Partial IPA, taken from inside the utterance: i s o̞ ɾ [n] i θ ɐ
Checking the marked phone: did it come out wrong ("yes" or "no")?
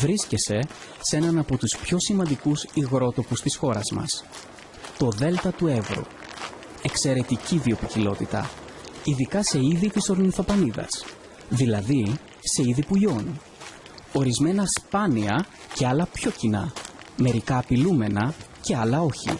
no